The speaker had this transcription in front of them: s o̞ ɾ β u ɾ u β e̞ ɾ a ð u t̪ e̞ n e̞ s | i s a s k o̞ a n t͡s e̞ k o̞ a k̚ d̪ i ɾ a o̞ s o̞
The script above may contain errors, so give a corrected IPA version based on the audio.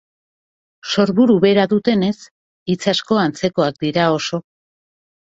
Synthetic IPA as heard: s o̞ ɾ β u ɾ u β e̞ ɾ a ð u t̪ e̞ n e̞ s | i t͡s a s k o̞ a n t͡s e̞ k o̞ a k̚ d̪ i ɾ a o̞ s o̞